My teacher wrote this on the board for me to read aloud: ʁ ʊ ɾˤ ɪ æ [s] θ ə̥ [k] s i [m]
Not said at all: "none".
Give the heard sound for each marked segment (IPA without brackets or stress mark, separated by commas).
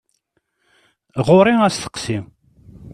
s, q, m